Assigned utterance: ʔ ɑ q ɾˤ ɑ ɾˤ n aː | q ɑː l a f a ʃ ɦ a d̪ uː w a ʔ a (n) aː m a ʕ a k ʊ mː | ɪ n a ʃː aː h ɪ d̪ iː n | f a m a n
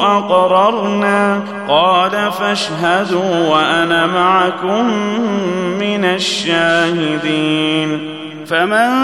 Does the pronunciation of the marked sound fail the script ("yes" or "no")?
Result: no